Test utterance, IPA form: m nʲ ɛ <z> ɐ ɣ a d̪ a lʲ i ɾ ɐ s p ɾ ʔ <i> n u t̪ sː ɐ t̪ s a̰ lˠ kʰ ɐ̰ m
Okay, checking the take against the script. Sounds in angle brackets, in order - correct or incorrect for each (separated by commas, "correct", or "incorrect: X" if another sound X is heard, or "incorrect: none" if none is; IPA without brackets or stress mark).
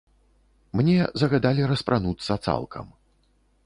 correct, incorrect: a